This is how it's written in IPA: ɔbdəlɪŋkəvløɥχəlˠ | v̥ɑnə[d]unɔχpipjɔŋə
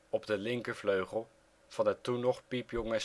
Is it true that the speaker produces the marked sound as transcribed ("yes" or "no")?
no